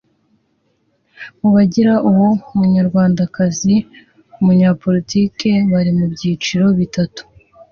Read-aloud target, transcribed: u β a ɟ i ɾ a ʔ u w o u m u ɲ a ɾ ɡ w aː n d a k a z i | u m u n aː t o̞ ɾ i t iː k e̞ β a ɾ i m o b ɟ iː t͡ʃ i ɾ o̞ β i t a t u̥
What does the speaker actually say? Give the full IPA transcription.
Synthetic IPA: u β a ɟ i ɾ a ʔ u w o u m u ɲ a ɾ ɡ w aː n d a k a z i | u m u ɲ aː p o̞ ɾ i t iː k e̞ β a ɾ i m u b ɟ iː t͡ʃ i ɾ o̞ β i t a t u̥